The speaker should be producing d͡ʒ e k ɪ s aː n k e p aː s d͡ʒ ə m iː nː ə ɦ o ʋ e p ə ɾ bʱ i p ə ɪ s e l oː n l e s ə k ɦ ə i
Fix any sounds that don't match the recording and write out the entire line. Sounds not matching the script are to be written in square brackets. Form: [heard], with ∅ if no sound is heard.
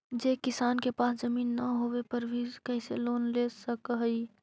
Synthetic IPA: d͡ʒ e k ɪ s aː n k e p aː s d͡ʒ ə m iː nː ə ɦ o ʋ e p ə ɾ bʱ i [k] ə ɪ s e l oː n l e s ə k ɦ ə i